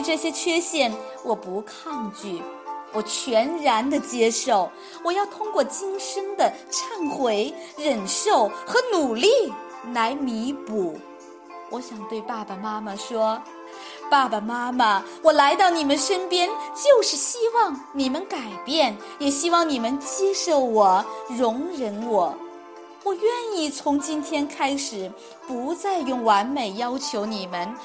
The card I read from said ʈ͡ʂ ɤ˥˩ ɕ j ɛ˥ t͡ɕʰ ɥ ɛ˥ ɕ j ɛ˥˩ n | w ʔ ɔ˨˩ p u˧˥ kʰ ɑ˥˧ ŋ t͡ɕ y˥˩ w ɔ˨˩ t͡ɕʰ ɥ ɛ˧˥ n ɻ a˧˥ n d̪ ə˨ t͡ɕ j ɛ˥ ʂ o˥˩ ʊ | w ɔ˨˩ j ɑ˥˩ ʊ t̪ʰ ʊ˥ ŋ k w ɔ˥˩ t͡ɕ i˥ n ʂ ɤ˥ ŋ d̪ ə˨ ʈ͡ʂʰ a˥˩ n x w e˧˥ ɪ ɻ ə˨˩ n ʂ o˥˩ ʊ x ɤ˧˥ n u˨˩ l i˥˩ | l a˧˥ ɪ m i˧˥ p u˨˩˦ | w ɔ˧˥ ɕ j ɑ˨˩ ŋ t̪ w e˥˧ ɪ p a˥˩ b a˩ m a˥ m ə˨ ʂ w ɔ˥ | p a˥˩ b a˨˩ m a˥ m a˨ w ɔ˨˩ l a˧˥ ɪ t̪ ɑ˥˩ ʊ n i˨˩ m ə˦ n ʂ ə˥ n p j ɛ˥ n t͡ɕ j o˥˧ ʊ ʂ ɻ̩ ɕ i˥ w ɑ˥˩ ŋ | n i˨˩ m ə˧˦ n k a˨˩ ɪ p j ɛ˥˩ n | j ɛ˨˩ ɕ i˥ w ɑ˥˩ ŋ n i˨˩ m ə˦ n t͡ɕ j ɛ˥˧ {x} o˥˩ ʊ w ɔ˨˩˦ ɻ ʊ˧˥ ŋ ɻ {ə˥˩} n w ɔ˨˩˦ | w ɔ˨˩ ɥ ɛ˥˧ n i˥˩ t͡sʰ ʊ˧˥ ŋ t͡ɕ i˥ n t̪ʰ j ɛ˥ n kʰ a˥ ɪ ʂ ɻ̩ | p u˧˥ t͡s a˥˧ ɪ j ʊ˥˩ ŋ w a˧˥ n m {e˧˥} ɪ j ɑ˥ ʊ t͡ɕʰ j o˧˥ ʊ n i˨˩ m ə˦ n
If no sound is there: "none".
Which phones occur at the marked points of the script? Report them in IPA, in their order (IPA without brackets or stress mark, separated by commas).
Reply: ʂ, ə˧˥, e˨˩